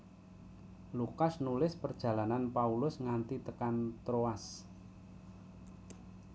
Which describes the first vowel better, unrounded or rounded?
rounded